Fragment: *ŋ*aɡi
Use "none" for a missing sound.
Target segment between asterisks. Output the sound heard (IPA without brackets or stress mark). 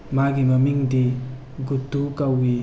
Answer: m